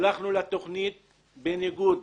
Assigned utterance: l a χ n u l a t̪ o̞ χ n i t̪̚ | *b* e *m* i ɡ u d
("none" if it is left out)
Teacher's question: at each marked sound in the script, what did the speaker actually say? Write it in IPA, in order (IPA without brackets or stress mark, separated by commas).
b, n